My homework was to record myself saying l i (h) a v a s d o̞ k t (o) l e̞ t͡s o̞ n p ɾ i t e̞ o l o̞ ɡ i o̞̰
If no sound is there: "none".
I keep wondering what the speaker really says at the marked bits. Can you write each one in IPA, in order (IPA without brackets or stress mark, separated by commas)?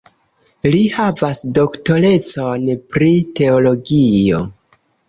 h, o